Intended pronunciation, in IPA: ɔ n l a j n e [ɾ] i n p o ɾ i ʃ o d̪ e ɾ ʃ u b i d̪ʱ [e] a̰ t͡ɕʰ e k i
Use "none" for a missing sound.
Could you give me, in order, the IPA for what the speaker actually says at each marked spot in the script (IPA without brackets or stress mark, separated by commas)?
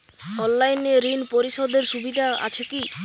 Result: ɾ, a